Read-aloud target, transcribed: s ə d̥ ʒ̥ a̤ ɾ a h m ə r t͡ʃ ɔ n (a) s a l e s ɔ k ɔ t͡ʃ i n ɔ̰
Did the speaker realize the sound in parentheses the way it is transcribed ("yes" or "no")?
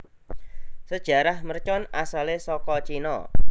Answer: yes